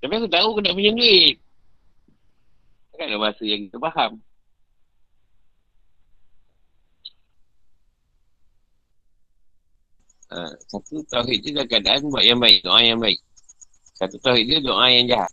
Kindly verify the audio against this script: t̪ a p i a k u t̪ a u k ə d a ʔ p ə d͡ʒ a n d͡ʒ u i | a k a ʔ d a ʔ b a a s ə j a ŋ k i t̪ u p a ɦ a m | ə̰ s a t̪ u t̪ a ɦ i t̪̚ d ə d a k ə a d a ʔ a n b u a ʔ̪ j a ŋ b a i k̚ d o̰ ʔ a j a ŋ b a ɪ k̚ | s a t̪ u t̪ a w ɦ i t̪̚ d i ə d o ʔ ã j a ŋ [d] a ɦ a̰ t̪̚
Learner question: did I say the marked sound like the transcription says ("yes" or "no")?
no